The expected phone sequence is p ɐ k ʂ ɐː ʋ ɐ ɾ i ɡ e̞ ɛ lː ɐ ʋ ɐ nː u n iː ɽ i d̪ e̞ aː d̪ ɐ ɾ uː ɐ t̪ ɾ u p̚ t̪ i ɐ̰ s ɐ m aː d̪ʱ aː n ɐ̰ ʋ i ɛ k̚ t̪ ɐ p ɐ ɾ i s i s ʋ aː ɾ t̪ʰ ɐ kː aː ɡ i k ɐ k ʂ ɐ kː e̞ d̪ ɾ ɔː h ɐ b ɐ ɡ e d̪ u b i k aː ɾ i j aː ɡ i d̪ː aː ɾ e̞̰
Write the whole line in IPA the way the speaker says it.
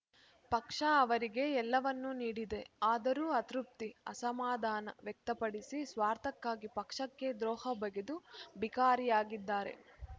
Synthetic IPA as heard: p ɐ k ʂ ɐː ʋ ɐ ɾ i ɡ e̞ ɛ lː ɐ ʋ ɐ nː u n iː ɽ i d̪ e̞ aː d̪ ɐ ɾ uː ɐ t̪ ɾ u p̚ t̪ i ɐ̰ s ɐ m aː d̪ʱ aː n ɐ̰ ʋ j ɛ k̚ t̪ ɐ p ɐ ɽ i s i s ʋ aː ɾ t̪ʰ ɐ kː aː ɡ i p ɐ k ʂ ɐ kː e̞ d̪ ɾ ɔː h ɐ b ɐ ɡ e d̪ u b i k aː ɾ i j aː ɡ i d̪ː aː ɾ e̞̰